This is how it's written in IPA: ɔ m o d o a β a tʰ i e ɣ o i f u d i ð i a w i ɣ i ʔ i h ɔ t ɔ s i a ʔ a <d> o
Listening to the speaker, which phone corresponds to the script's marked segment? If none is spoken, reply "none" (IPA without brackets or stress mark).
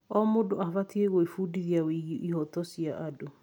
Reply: d